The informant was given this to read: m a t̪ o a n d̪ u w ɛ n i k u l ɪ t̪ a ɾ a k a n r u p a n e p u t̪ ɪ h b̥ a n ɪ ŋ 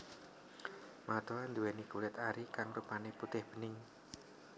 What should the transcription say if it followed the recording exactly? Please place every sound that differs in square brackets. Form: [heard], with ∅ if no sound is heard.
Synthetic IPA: m a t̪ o a n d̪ u w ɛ n i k u l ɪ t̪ a ɾ [i] k a [ŋ] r u p a n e p u t̪ ɪ h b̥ [ə] n ɪ ŋ